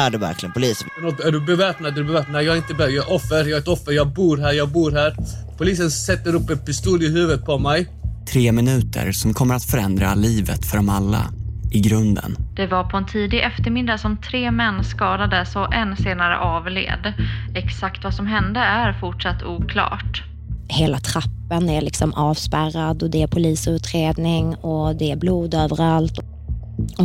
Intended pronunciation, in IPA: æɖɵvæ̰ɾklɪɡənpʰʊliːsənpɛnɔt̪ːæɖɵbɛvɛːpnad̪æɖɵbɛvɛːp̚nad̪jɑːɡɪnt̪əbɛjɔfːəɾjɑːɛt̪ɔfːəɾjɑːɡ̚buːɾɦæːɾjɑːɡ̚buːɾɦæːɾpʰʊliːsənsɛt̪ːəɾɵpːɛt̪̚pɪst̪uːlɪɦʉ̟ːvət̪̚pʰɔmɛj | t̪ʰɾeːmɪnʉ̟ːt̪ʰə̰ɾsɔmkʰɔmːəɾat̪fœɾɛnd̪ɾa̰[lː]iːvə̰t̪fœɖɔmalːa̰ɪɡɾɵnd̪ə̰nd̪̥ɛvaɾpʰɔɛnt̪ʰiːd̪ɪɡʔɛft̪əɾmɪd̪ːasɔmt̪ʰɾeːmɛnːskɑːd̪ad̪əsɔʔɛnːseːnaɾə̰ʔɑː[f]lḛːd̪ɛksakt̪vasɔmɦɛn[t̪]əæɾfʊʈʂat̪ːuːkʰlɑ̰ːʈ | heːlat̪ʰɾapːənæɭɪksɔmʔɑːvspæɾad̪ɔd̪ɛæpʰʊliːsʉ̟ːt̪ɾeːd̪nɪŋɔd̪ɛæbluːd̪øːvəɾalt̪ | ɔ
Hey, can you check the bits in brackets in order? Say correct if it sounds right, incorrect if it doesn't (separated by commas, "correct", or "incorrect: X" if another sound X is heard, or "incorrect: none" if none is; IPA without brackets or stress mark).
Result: incorrect: l, incorrect: v, incorrect: d̪